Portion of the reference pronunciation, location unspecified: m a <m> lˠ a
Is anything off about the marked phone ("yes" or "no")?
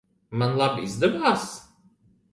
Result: yes